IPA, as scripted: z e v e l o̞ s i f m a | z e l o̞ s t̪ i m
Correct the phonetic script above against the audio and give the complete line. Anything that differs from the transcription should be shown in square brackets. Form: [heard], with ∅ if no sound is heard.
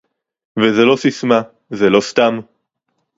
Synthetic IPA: [v] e [z] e l o̞ s i [s] m a | z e l o̞ s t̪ [a] m